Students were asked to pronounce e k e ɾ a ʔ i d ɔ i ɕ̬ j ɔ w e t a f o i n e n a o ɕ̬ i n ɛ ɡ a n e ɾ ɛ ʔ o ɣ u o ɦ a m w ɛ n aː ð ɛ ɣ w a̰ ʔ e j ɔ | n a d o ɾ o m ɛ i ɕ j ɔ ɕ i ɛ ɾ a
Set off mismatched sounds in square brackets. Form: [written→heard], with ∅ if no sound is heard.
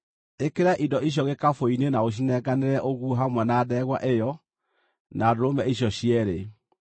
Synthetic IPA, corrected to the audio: e k e ɾ a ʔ i d ɔ i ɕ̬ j ɔ [w→ɣ] e [t→k] a f o i n e n a o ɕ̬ i n ɛ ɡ a n e ɾ ɛ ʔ o ɣ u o ɦ a m w ɛ n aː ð ɛ ɣ w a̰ ʔ e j ɔ | n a d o ɾ o m ɛ i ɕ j ɔ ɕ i ɛ ɾ [a→e]